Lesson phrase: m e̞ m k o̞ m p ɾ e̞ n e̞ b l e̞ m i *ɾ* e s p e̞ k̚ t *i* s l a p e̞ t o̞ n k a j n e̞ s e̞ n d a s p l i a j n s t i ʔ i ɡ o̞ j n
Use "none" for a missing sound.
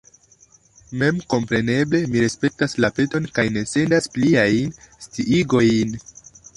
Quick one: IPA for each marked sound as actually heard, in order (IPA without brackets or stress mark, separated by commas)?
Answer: ɾ, a